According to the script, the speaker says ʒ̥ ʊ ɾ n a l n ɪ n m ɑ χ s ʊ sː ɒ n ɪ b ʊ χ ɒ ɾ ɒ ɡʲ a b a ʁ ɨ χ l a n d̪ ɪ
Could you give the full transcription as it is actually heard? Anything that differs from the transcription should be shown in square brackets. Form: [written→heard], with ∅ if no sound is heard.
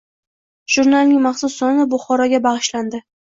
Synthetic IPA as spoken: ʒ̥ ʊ ɾ n a l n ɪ [n→ŋ] m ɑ χ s ʊ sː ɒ n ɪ b ʊ χ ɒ ɾ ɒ ɡʲ a b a ʁ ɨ [χ→ʃ] l a n d̪ ɪ